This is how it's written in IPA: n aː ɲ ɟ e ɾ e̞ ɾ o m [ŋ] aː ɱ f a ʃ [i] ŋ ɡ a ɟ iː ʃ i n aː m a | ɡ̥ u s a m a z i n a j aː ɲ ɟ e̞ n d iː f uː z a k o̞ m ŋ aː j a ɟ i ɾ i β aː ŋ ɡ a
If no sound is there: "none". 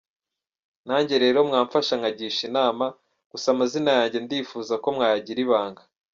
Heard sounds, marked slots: ŋ, a

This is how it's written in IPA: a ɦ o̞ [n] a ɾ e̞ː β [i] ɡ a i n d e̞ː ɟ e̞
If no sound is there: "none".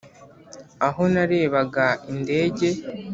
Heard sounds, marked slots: n, a

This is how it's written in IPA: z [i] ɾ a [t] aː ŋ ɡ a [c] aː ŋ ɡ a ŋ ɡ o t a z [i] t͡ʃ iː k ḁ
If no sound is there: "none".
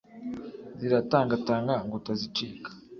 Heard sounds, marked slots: i, t, t, i

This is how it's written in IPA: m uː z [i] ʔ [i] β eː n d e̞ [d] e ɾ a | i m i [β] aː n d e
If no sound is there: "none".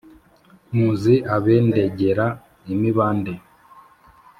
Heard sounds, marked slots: i, a, ɟ, β

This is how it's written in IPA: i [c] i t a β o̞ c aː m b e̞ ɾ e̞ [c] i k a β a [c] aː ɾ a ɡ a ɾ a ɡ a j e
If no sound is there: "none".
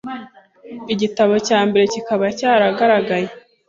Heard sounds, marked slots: ɟ, c, c

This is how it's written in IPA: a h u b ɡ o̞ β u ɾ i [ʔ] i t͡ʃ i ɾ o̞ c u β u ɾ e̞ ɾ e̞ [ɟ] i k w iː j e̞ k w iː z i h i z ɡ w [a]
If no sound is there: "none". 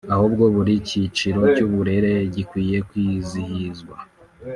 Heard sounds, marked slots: c, ɟ, a

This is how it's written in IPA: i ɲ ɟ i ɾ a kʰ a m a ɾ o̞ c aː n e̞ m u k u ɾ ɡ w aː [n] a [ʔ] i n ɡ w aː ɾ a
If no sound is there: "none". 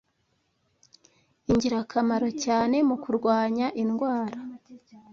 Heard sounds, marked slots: ɲ, ʔ

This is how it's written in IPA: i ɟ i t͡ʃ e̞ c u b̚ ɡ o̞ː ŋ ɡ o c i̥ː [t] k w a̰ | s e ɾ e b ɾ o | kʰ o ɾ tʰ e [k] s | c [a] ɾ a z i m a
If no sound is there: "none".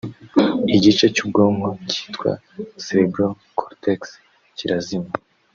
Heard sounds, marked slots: t, k, i

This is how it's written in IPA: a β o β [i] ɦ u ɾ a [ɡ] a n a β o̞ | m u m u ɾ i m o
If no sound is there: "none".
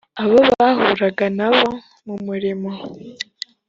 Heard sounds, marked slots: a, ɡ

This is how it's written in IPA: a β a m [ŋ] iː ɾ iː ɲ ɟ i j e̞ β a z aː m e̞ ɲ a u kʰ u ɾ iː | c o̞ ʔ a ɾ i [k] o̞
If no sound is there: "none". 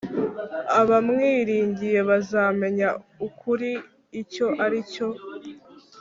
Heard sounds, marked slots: ŋ, c

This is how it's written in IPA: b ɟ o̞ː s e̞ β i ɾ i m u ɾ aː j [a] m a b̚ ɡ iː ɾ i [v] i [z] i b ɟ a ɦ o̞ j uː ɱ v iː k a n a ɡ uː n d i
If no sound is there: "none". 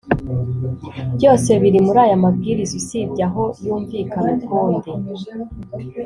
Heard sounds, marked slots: a, z, s

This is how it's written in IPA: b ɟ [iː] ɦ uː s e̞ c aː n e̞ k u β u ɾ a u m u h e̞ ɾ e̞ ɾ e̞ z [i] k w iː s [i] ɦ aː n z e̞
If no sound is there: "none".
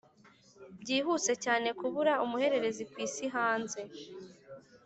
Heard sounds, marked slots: iː, i, i

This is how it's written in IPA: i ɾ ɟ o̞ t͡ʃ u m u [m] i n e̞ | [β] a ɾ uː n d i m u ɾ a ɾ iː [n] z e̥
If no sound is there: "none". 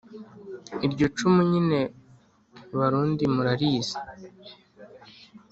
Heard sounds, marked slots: ɲ, β, none

